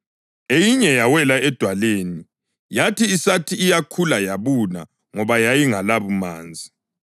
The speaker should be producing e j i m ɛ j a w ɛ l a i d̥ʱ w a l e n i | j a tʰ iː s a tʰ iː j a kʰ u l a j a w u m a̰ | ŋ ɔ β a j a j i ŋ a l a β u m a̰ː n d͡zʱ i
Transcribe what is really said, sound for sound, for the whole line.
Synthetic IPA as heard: e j i ɲ ɛ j a w ɛ l a ɛ d̥ʱ w a l e n i | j a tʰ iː s a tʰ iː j a kʰ u l a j a β u n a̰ | ŋ ɔ β a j a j i ŋ a l a β u m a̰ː n d͡zʱ i